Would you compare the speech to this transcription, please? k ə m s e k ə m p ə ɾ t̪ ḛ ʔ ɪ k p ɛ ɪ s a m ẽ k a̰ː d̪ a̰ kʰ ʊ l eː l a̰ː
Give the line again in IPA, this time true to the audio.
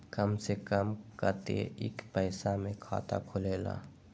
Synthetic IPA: k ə m s e k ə m k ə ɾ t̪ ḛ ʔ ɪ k p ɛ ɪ s a m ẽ kʰ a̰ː t̪ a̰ kʰ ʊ l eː l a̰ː